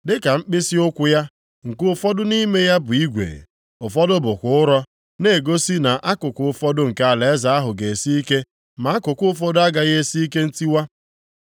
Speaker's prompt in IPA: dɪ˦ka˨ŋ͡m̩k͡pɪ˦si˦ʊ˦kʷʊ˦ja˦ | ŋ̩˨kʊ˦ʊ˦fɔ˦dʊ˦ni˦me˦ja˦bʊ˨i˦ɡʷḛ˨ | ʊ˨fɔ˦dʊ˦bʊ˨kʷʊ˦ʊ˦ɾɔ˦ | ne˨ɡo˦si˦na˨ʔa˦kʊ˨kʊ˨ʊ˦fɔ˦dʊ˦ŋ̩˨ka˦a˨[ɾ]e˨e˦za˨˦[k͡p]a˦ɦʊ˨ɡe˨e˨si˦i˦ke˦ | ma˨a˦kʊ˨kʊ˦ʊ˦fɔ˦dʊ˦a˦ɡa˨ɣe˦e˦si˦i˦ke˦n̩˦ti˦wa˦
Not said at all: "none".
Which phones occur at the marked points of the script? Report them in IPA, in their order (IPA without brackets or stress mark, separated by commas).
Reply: l, none